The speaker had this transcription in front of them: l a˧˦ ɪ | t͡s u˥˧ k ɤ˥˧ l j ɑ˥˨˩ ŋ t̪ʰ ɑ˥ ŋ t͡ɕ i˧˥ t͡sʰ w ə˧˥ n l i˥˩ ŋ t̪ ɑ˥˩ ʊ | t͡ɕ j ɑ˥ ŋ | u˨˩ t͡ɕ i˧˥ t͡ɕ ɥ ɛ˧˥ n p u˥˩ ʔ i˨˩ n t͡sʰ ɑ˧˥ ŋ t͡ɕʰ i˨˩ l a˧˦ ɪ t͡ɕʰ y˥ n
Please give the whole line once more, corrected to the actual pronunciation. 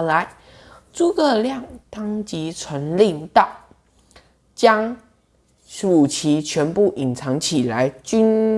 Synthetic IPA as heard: l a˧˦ ɪ | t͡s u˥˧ k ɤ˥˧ l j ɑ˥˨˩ ŋ t̪ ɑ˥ ŋ t͡ɕ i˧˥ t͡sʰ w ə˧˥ n l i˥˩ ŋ t̪ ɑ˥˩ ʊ | t͡ɕ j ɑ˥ ŋ | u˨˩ t͡ɕʰ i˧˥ t͡ɕʰ ɥ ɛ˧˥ n p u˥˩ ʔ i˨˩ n t͡sʰ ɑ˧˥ ŋ t͡ɕʰ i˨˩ l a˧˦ ɪ t͡ɕ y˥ n

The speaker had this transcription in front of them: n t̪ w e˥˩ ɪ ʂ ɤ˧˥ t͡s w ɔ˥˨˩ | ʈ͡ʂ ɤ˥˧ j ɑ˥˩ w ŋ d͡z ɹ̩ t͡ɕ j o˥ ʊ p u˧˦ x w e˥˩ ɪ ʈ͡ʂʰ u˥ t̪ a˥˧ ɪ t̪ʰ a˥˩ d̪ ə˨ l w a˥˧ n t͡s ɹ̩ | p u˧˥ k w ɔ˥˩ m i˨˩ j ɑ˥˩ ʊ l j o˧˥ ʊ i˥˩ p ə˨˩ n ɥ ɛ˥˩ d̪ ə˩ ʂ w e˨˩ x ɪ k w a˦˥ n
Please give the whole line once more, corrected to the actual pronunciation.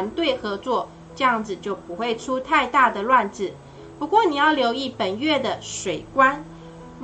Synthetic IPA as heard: n t̪ w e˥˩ ɪ x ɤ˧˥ t͡s w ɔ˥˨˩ | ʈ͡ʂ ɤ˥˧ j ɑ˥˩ ŋ d͡z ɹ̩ t͡ɕ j o˥˩ ʊ p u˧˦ x w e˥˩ ɪ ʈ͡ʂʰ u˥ t̪ʰ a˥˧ ɪ t̪ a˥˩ d̪ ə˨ l w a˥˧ n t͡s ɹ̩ | p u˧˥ k w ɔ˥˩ n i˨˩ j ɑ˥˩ ʊ l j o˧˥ ʊ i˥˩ p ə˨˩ n ɥ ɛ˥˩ d̪ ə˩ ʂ w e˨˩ ɪ k w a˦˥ n

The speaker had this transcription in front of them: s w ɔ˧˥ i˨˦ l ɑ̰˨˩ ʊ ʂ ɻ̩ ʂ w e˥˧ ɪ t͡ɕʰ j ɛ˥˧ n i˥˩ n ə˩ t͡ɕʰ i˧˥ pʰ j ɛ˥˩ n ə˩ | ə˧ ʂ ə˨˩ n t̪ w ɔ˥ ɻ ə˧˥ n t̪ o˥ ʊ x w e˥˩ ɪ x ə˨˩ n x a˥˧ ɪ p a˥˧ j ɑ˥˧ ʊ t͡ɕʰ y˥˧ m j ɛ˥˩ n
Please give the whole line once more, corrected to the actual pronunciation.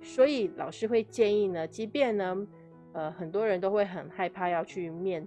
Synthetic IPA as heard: s w ɔ˧˥ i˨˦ l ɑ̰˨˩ ʊ ʂ ɻ̩ x w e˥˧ ɪ t͡ɕ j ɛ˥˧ n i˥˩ n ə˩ t͡ɕ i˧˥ p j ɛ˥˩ n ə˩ | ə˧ x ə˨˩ n t̪ w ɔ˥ ɻ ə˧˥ n t̪ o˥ ʊ x w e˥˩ ɪ x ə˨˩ n x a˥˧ ɪ pʰ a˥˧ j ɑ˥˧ ʊ t͡ɕʰ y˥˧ m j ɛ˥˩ n

